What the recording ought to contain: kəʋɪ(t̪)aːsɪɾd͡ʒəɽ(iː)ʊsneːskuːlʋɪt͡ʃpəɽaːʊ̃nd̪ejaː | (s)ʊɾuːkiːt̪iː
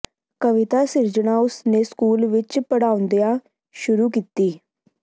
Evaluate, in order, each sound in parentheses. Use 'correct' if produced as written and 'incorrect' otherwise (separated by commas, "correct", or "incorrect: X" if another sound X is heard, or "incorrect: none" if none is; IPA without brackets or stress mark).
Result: correct, incorrect: aː, incorrect: ʃ